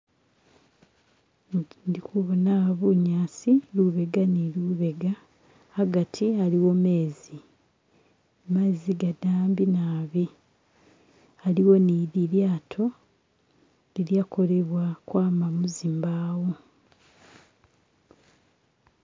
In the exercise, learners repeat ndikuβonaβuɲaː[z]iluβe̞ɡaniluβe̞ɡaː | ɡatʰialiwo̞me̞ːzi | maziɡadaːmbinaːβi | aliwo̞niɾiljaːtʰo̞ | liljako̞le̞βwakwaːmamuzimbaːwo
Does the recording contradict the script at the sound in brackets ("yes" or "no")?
yes